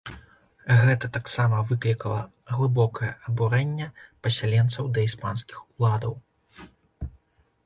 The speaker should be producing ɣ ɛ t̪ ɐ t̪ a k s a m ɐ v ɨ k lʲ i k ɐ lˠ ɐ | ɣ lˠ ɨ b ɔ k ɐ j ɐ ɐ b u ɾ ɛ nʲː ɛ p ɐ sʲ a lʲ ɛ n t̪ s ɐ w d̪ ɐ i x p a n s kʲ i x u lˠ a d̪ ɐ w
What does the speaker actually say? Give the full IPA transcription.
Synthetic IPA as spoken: ɣ ɛ t̪ ɐ t̪ a k s a m ɐ v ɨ k lʲ i k ɐ lˠ ɐ | ɣ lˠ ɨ b ɔ k ɐ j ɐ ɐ b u ɾ ɛ nʲː ɛ p ɐ sʲ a lʲ ɛ n t̪ s ɐ w d̪ ɐ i s p a n s kʲ i x u lˠ a d̪ ɐ w